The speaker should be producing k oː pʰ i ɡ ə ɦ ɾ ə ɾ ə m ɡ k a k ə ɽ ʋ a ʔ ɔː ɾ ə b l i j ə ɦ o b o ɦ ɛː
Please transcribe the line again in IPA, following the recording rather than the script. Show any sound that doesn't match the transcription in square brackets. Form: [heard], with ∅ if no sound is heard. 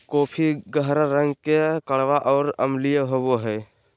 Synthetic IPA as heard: k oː pʰ i ɡ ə ɦ ɾ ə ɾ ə [ŋ] ɡ k [e] k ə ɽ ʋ a ʔ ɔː ɾ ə [m] l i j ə ɦ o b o ɦ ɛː